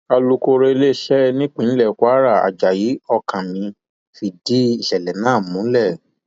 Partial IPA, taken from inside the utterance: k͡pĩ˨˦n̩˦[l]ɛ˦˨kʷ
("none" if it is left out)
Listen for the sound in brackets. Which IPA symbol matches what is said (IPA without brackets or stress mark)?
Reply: l